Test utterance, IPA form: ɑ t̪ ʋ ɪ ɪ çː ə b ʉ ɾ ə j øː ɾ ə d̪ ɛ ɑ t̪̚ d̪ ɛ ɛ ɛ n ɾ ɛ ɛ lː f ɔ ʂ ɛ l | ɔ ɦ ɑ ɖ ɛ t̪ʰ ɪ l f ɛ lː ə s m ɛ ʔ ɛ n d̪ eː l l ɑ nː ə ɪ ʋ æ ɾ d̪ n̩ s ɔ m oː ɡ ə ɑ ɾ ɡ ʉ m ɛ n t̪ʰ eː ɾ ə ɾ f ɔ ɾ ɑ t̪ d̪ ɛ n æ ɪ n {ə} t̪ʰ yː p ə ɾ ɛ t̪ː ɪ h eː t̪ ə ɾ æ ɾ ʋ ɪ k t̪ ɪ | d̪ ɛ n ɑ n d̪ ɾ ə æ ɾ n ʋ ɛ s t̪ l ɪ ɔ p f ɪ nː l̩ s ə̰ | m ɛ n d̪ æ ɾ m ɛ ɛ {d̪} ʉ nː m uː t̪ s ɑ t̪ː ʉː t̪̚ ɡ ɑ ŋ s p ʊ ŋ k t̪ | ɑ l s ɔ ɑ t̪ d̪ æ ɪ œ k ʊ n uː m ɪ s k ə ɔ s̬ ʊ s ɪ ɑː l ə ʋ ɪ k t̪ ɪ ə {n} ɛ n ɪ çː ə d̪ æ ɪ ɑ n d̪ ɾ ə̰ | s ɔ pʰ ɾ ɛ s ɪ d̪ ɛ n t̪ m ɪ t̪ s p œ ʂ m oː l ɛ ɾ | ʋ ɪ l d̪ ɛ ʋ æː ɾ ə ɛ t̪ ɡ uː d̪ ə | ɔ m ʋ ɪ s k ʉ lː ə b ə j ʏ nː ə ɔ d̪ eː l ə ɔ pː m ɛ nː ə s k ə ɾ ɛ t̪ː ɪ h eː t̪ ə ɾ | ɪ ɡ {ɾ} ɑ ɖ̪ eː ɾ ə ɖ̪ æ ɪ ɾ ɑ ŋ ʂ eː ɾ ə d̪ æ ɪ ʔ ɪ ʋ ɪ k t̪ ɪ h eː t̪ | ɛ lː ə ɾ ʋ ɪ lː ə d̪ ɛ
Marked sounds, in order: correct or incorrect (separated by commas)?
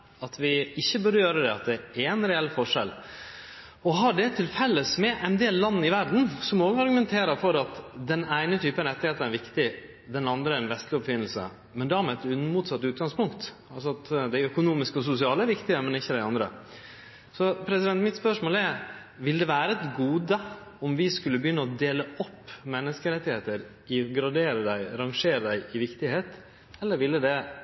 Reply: correct, incorrect, incorrect, correct